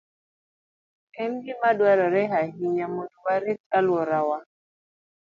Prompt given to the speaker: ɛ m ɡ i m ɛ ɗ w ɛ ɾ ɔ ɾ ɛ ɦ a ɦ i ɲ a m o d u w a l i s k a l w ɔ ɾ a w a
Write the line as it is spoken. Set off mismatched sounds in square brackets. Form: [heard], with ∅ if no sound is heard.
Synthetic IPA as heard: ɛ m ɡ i m [a] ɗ w [a] ɾ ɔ ɾ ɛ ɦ a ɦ i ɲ a m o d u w a [ɾ] i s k a l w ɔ ɾ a w a